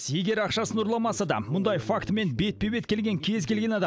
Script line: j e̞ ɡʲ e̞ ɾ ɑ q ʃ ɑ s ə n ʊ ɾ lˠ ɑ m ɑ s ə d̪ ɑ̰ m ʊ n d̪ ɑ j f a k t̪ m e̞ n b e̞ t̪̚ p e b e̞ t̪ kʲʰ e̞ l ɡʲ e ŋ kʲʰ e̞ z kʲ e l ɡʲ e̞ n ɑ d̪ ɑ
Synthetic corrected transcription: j e̞ ɡʲ e̞ ɾ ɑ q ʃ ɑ s ə n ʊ ɾ lˠ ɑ m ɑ s ə d̪ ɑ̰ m ʊ n d̪ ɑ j f a k t̪ m e̞ n b e̞ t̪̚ p e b e̞ t̪ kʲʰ e̞ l ɡʲ e ŋ kʲʰ e̞ z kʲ e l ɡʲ e̞ n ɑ d̪ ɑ